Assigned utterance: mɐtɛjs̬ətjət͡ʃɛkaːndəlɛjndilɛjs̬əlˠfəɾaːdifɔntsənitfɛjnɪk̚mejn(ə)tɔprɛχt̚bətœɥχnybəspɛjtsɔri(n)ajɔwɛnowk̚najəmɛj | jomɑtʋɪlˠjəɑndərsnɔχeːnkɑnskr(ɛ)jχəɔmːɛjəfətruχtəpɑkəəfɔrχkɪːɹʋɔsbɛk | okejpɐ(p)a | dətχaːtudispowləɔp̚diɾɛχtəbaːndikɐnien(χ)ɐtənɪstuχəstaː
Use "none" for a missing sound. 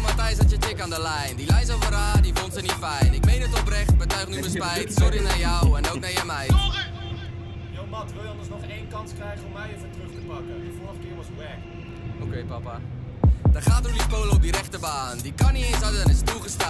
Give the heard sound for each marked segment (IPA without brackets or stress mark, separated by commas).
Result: ə, n, ɛ, p, s